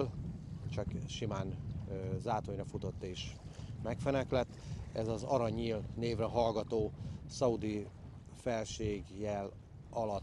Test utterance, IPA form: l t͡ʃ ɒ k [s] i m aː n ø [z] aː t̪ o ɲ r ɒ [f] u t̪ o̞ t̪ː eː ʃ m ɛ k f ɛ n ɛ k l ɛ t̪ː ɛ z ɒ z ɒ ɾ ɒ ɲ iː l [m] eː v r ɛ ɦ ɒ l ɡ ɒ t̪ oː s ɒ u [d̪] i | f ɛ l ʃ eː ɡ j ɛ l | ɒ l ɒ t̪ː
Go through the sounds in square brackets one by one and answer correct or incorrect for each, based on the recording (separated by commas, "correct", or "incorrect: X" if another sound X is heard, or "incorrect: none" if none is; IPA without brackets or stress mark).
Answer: incorrect: ʃ, correct, correct, incorrect: n, correct